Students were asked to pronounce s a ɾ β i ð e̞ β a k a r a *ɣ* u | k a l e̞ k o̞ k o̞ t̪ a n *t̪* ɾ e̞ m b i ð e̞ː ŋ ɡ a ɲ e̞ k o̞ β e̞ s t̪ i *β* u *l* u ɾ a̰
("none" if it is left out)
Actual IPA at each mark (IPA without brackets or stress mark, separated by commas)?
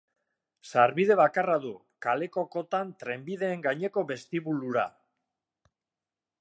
ð, t̪, β, l